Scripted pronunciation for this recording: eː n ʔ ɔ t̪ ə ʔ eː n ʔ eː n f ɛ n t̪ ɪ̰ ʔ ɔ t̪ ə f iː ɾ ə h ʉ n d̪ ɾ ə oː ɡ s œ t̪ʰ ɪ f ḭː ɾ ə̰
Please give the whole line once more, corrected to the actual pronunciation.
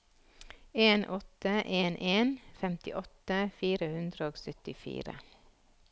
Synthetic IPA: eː n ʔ ɔ t̪ ə ʔ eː n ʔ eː n f ɛ m t̪ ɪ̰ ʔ ɔ t̪ ə f iː ɾ ə h ʉ n d̪ ɾ ə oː ɡ s œ t̪ ɪ f ḭː ɾ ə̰